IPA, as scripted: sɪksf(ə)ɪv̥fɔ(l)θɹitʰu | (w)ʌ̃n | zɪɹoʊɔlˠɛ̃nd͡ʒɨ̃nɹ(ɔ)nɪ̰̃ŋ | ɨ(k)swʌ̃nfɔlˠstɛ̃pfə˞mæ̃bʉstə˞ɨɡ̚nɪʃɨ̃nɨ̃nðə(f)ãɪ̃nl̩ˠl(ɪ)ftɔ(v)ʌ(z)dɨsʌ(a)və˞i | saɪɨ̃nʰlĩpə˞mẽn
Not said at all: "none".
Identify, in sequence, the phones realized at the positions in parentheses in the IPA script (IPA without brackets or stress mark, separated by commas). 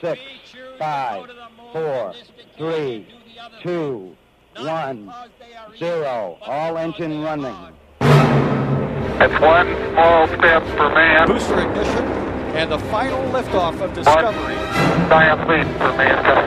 a, ɹ, w, ʌ, t, f, ɪ, f, v, ʌ